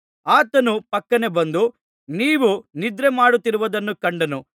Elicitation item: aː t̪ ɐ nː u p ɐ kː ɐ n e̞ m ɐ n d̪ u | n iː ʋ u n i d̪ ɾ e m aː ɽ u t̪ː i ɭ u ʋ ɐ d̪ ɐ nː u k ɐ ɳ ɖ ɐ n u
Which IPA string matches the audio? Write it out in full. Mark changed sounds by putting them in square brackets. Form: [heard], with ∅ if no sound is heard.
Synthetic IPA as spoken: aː t̪ ɐ [n] u p ɐ kː ɐ n e̞ [b] ɐ n d̪ u | n iː ʋ u n i d̪ ɾ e m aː ɽ u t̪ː i [ɾ] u ʋ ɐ d̪ ɐ nː u k ɐ ɳ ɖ ɐ n u